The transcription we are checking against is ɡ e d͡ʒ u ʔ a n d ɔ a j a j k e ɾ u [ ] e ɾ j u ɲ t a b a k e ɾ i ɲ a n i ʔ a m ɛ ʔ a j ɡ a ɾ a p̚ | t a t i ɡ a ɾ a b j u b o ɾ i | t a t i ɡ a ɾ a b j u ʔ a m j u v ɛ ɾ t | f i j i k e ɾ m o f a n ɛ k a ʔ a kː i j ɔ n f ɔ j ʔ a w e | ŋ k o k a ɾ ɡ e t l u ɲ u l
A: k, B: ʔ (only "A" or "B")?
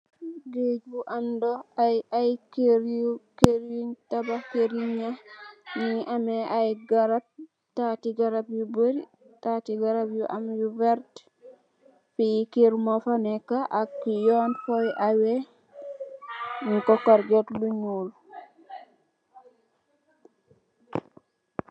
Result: A